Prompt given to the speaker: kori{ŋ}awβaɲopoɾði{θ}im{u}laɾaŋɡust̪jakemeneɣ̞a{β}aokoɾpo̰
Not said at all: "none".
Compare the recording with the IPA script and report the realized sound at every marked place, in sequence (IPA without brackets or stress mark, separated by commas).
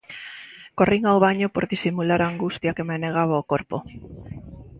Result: ŋ, s, u, β